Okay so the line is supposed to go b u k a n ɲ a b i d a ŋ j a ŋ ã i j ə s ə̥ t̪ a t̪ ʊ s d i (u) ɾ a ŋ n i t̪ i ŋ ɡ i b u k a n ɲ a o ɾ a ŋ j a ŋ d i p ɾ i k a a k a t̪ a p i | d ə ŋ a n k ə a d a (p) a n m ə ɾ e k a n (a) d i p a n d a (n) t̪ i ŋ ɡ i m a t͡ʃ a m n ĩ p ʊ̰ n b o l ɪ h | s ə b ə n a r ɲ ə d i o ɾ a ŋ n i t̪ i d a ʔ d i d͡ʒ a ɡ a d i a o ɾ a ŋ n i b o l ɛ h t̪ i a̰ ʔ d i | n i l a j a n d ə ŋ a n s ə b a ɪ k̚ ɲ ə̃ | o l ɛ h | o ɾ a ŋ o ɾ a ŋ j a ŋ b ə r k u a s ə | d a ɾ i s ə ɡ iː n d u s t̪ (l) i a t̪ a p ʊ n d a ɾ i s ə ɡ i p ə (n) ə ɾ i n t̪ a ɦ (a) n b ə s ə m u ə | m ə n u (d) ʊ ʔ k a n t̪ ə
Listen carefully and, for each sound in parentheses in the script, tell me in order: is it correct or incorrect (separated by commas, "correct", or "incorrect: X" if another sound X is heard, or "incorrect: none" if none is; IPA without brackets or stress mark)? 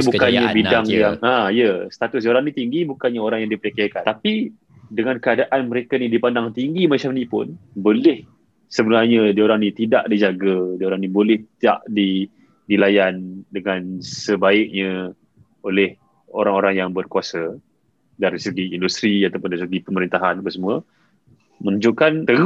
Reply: incorrect: o, incorrect: ʔ, incorrect: i, incorrect: ŋ, incorrect: ɾ, incorrect: m, correct, incorrect: d͡ʒ